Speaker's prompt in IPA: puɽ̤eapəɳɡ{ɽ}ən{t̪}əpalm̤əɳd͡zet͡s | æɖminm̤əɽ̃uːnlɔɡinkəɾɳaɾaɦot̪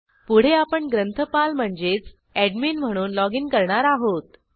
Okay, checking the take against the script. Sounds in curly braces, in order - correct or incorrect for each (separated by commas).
incorrect, incorrect